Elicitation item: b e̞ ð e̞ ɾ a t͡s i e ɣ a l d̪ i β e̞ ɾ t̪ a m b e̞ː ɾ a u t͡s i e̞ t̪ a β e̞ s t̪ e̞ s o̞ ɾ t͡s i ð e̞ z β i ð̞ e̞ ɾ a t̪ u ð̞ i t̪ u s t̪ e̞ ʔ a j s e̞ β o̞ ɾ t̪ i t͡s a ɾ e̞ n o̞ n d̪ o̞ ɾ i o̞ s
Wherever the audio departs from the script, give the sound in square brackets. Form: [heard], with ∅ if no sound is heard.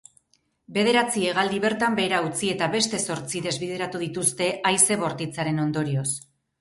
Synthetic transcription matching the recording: b e̞ ð e̞ ɾ a t͡s i e ɣ a l d̪ i β e̞ ɾ t̪ a m b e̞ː ɾ a u t͡s i e̞ t̪ a β e̞ s t̪ e̞ s o̞ ɾ t͡s i ð e̞ z β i ð̞ e̞ ɾ a t̪ u ð̞ i t̪ u s t̪ e̞ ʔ a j s e̞ β o̞ ɾ t̪ i t͡s a ɾ e̞ n o̞ n d̪ o̞ ɾ i o̞ s